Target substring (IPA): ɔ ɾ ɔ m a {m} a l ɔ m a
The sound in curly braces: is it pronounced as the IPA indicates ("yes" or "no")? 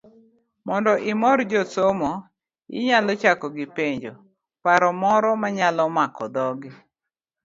no